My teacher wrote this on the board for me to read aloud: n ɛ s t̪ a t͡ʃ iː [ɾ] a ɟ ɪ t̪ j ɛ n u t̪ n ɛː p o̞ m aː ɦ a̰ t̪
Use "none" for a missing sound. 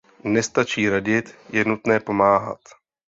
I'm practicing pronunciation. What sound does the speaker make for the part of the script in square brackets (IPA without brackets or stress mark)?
ɾ